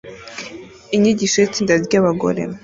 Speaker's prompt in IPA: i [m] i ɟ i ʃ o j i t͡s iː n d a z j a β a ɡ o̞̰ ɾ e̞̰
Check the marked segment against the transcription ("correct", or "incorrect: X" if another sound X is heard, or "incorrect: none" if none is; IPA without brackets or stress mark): incorrect: ɲ